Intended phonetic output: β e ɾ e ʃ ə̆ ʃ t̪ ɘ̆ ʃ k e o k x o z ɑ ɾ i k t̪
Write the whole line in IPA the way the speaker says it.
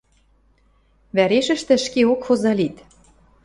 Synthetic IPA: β æ ɾ e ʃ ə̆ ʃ t̪ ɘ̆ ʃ k e o k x o z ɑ l i t̪